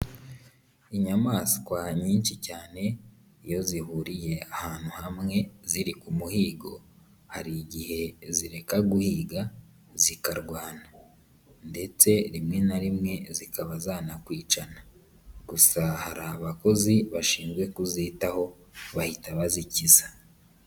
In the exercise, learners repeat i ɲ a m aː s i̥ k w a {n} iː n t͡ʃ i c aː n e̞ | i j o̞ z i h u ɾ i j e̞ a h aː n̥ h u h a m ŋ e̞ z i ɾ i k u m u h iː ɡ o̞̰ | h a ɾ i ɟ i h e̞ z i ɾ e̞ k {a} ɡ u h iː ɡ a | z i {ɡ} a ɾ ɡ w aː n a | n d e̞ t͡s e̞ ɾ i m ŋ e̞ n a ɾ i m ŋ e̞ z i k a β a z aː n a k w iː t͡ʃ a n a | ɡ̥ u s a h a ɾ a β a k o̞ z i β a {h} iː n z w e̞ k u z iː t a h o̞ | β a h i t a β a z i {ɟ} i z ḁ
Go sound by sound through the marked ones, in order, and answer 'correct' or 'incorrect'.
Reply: incorrect: ɲ, correct, incorrect: k, incorrect: ʃ, incorrect: c

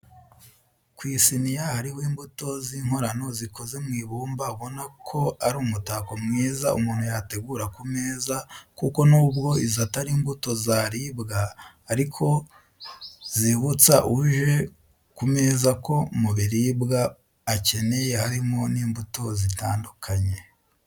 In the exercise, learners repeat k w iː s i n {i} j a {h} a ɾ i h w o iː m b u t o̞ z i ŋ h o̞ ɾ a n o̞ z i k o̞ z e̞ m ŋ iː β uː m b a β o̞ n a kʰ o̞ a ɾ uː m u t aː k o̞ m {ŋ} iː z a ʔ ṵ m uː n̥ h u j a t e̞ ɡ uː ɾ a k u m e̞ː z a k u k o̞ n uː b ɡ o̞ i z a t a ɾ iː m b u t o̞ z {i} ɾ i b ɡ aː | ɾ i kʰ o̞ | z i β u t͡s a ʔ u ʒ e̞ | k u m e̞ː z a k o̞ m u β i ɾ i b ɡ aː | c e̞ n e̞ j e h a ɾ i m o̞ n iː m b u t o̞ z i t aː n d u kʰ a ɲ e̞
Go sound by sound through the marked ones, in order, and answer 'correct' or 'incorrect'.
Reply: correct, correct, correct, incorrect: a

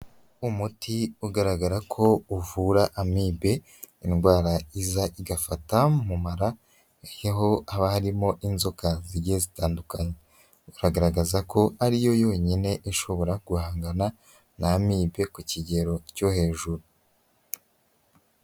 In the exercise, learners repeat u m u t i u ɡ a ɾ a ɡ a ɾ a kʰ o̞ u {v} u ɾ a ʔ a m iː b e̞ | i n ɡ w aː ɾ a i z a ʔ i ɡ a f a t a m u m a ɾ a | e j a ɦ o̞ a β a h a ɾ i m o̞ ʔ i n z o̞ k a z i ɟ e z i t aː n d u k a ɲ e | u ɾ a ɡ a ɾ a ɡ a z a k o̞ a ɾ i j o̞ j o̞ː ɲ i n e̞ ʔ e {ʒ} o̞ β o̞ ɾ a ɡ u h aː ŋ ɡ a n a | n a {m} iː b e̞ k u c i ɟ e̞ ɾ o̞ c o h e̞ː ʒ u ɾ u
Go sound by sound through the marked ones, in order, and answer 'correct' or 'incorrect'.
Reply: correct, incorrect: ʃ, correct

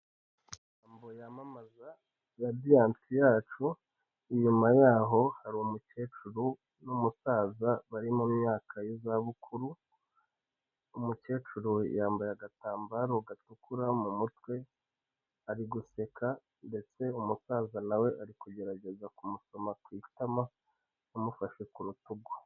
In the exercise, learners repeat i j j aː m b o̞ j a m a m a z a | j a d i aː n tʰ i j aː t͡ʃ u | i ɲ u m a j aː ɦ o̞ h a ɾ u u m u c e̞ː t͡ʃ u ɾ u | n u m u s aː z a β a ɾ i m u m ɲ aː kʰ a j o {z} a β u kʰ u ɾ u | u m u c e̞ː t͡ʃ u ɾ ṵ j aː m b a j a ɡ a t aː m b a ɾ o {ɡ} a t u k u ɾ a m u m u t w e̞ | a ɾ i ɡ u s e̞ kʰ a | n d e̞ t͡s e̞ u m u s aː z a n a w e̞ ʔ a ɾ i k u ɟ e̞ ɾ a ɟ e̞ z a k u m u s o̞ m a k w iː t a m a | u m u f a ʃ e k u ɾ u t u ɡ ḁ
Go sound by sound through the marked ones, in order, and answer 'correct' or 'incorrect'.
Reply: correct, correct

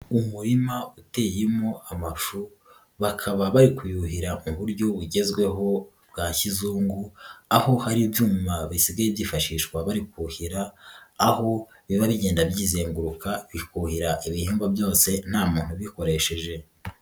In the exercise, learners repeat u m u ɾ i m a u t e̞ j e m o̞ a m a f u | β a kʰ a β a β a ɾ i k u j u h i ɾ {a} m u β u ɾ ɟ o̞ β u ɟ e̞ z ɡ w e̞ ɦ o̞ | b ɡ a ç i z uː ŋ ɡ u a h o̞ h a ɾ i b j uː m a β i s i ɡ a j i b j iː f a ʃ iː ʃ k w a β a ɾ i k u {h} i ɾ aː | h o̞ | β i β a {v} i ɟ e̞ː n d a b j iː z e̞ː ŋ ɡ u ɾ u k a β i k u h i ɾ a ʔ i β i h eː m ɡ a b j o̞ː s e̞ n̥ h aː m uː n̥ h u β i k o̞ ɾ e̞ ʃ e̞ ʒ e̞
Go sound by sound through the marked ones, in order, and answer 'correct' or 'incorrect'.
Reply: correct, correct, incorrect: β

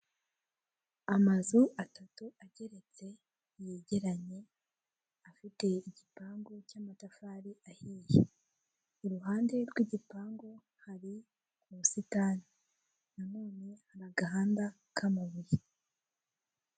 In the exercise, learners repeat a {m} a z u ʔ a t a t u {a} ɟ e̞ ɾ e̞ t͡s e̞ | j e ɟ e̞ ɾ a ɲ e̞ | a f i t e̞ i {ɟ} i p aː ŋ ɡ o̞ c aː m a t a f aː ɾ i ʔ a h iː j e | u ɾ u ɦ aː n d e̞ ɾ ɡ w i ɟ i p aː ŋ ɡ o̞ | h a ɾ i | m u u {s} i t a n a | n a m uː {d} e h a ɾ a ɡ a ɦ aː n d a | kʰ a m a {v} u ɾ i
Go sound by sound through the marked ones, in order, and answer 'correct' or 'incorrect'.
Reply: correct, correct, correct, correct, incorrect: n, incorrect: β

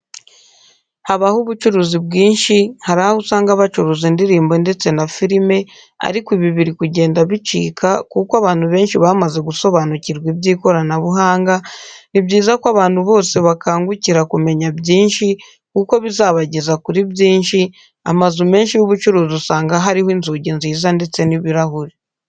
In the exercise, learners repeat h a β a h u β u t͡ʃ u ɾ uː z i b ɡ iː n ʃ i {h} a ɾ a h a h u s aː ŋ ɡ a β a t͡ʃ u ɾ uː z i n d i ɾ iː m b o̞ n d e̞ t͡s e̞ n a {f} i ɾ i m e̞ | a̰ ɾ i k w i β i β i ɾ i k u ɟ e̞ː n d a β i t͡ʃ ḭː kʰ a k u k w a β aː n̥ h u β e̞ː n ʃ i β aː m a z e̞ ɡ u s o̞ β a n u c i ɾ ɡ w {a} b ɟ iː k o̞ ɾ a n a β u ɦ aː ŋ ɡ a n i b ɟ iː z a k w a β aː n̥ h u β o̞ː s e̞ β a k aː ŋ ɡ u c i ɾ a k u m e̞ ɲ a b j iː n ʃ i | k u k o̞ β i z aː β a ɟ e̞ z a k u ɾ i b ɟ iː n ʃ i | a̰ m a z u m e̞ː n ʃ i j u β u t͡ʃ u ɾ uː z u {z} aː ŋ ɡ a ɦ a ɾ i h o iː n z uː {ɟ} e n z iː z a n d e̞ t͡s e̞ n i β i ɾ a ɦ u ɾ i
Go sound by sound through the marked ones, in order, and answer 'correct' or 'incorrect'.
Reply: correct, correct, incorrect: i, incorrect: s, correct

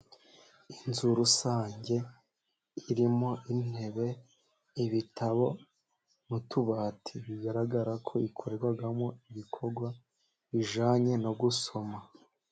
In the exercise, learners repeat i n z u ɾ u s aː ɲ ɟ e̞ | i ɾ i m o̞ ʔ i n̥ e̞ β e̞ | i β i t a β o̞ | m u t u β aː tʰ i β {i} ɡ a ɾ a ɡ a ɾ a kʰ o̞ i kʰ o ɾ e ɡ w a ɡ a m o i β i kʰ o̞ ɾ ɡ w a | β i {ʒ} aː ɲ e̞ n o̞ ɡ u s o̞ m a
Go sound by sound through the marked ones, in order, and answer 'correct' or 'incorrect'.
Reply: correct, correct

